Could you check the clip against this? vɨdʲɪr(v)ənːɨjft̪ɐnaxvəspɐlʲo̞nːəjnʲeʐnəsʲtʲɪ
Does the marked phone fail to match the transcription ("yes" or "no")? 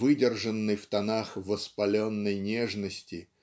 yes